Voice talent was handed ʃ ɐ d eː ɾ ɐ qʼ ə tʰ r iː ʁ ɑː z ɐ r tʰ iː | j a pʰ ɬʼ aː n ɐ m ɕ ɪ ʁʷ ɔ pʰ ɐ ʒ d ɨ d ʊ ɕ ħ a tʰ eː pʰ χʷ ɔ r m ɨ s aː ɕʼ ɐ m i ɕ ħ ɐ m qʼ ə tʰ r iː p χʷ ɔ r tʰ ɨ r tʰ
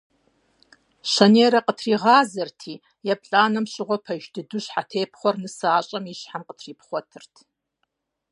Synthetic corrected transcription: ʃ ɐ n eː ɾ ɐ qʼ ə tʰ r iː ʁ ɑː z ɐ r tʰ iː | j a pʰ ɬʼ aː n ɐ m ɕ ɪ ʁʷ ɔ pʰ ɐ ʒ d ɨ d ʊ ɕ ħ a tʰ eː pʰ χʷ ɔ r n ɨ s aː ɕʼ ɐ m i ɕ ħ a m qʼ ə tʰ r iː p χʷ ɔ tʰ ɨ r tʰ

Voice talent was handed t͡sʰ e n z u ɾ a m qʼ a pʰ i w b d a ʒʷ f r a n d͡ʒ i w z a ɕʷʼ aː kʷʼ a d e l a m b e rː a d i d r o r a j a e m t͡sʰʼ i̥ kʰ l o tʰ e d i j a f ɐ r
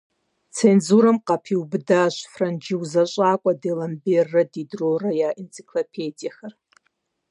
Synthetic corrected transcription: t͡sʰ e n z u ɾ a m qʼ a pʰ i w b d a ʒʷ f r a n d͡ʒ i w z a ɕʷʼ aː kʷʼ a d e l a m b e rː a d i d r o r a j a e n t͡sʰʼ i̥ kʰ l o pʰ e d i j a x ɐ r

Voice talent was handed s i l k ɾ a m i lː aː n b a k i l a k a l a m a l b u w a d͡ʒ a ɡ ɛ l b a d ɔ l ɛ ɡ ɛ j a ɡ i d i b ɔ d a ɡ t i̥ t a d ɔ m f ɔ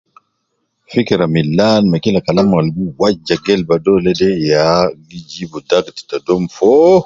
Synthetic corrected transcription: f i k ɾ a m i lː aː n m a k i l a k a l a m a l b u w a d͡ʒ a ɡ ɛ l b a d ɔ l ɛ d ɛ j a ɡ i d͡ʒ i b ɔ d a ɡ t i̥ t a d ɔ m f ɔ

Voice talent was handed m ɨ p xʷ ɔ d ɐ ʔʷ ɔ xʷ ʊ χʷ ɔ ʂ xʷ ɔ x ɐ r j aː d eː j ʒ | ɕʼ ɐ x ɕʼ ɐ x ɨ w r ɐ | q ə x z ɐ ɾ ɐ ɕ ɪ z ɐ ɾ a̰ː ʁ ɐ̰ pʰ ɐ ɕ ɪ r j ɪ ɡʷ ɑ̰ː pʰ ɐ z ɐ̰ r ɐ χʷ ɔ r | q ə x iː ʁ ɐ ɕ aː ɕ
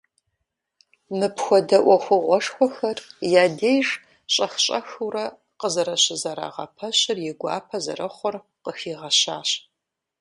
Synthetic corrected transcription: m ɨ p xʷ ɔ d ɐ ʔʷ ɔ xʷ ʊ ʁʷ ɔ ʂ xʷ ɔ x ɐ r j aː d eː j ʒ | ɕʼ ɐ x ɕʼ ɐ x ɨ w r ɐ | q ə z ɐ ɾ ɐ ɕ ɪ z ɐ ɾ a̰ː ʁ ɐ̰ pʰ ɐ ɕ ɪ r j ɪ ɡʷ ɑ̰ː pʰ ɐ z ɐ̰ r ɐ χʷ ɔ r | q ə x iː ʁ ɐ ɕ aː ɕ

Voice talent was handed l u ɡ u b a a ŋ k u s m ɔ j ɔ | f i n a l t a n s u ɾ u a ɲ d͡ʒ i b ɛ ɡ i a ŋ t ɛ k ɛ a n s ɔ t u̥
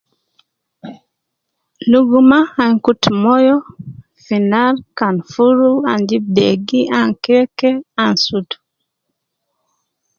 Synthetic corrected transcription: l u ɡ u m a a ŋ k u t m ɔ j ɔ | f i n a l k a n f u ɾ u a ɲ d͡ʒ i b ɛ ɡ i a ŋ k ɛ k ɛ a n s u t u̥

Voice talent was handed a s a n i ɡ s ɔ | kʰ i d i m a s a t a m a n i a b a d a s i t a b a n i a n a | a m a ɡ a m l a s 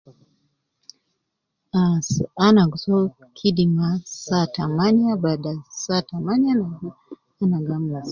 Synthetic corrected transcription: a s a n a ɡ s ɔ | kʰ i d i m a s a t a m a n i a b a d a s a t a m a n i a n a | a n a ɡ a m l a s

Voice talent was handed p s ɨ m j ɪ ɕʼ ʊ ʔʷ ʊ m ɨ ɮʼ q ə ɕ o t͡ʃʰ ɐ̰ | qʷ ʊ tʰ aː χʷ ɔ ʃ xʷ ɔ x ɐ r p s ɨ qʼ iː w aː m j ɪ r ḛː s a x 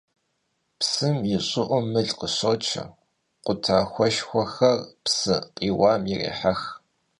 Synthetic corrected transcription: p s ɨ m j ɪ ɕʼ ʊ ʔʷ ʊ m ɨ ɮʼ q ə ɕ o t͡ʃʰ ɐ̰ | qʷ ʊ tʰ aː xʷ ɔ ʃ xʷ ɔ x ɐ r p s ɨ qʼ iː w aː m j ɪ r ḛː ħ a x

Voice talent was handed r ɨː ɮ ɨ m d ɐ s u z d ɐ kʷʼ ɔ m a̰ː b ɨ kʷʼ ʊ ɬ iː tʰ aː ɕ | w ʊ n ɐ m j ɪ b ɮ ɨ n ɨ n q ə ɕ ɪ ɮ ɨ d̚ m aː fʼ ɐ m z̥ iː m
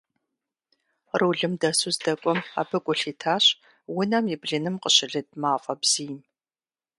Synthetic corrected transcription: r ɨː ɮ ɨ m d ɐ s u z d ɐ kʷʼ ɔ m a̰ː b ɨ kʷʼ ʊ ɬ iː tʰ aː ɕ | w ʊ n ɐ m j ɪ b ɮ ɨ n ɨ m q ə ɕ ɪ ɮ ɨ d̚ m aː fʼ ɐ b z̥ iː m

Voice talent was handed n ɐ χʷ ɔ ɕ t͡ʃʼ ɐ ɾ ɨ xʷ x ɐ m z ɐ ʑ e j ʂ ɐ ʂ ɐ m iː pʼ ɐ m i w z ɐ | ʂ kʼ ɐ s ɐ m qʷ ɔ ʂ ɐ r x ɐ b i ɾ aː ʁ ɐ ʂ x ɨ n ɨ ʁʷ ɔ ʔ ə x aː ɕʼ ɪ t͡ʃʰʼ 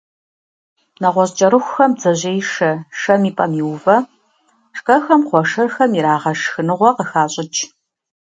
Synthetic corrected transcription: n ɐ ʁʷ ɔ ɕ t͡ʃʼ ɐ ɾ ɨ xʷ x ɐ m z ɐ ʑ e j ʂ ɐ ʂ ɐ m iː pʼ ɐ m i w v ɐ | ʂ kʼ ɐ x ɐ m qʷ ɔ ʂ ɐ r x ɐ m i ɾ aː ʁ ɐ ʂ x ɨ n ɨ ʁʷ ɔ q ə x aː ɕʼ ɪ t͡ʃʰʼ

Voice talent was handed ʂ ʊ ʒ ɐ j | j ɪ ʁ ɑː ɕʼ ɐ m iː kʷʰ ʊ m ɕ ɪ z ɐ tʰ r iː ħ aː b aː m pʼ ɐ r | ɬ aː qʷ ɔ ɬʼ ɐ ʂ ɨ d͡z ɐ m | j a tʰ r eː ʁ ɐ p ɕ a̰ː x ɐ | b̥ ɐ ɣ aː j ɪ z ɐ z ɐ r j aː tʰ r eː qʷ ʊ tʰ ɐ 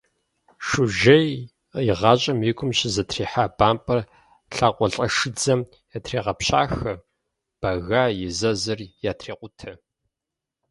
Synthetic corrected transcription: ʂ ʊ ʒ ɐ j | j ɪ ʁ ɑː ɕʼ ɐ m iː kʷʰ ʊ m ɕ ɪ z ɐ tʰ r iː ħ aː b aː m pʼ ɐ r | ɬ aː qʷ ɔ ɬʼ ɐ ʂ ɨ d͡z ɐ m | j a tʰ r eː ʁ ɐ p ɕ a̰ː x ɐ | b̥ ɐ ɣ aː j ɪ z ɐ z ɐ r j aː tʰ r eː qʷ ʊ tʰ ɐ

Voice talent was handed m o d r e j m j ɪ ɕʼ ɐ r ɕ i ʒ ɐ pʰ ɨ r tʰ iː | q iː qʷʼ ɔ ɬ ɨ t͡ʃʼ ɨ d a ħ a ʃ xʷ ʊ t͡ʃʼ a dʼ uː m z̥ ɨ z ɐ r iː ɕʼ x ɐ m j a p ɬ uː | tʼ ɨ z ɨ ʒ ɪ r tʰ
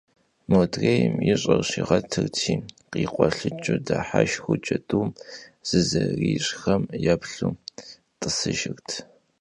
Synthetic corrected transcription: m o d r e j m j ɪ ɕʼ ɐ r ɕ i ʁ ɐ tʰ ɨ r tʰ iː | q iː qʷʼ ɔ ɬ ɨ t͡ʃʼ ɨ d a ħ a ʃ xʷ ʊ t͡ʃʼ ɐ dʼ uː m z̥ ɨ z ɐ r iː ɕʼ x ɐ m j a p ɬ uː | tʼ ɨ s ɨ ʒ ɪ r tʰ

